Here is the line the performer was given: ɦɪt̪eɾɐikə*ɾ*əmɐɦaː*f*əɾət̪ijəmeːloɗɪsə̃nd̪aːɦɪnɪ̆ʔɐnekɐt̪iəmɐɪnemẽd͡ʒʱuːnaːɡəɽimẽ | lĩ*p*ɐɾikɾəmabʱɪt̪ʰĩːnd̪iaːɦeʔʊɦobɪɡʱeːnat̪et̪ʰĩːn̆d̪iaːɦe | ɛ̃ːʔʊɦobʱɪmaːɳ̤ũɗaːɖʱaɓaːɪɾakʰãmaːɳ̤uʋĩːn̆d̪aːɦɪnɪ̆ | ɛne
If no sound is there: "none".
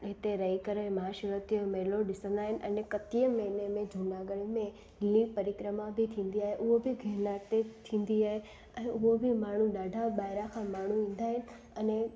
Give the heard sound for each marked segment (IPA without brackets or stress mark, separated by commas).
ɾ, ʃ, p